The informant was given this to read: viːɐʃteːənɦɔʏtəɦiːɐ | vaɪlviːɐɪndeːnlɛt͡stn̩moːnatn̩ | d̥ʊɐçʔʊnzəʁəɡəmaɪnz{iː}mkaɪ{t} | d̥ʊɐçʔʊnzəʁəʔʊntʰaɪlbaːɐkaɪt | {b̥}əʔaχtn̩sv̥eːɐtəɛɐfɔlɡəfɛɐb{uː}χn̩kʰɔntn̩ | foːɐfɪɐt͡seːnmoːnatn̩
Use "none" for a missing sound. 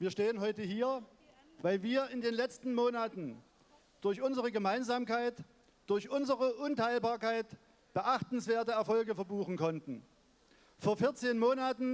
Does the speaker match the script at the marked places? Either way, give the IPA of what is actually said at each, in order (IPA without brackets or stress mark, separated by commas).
aː, t, b̥, uː